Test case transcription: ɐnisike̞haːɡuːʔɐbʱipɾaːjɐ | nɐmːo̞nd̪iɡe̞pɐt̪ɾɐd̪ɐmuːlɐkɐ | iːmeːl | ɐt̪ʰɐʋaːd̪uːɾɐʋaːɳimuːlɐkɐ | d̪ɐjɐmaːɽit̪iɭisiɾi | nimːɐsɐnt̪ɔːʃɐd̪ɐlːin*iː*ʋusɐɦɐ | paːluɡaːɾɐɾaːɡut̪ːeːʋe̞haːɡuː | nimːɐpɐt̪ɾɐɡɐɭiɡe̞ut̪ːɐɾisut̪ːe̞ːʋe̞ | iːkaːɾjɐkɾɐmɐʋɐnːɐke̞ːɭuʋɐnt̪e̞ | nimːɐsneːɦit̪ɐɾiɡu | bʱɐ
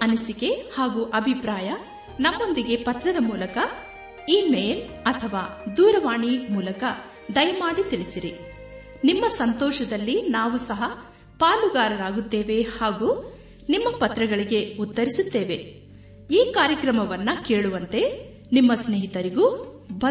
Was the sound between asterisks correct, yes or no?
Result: no